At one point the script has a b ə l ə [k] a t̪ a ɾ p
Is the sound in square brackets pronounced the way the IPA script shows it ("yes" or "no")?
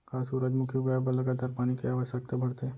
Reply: no